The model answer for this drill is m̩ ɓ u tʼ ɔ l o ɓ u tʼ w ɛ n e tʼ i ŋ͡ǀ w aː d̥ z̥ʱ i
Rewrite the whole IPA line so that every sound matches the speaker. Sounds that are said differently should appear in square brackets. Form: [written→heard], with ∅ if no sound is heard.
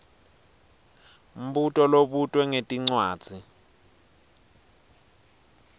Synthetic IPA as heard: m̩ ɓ u tʼ ɔ l o ɓ u tʼ w ɛ [n→ŋ] e tʼ i ŋ͡ǀ w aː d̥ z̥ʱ i